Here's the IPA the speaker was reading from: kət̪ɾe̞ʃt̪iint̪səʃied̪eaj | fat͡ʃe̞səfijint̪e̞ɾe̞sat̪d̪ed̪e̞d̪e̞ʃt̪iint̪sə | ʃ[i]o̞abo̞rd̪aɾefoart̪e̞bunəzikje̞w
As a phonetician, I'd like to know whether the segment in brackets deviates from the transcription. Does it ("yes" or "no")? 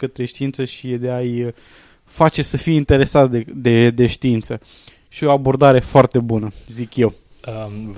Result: no